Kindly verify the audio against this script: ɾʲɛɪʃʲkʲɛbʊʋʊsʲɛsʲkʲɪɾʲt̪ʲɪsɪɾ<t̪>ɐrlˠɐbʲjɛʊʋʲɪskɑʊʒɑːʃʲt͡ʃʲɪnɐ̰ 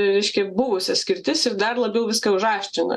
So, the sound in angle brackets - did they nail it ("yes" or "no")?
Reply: no